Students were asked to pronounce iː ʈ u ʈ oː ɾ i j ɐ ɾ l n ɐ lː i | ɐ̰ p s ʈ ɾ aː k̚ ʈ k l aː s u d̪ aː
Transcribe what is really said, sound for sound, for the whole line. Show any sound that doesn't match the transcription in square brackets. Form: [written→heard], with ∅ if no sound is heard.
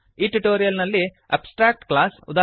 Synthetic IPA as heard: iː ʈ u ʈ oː ɾ i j ɐ [ɾ→∅] l n ɐ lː i | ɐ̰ p s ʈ ɾ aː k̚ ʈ k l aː s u d̪ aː